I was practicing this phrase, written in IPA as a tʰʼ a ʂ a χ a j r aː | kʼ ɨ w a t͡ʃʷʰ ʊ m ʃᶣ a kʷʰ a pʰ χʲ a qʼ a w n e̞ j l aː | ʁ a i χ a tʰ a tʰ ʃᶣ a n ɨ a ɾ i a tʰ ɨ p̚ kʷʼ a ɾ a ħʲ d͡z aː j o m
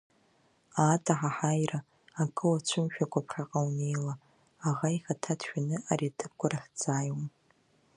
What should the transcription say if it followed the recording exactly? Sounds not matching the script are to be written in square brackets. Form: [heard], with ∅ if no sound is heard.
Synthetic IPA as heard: a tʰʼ a [ħ] a [ħ] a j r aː | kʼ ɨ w a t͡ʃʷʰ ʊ m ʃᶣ a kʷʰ a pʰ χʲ a qʼ a w n e̞ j l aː | ʁ a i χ a tʰ a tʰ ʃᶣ a n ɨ a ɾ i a tʰ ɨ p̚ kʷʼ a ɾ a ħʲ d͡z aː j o m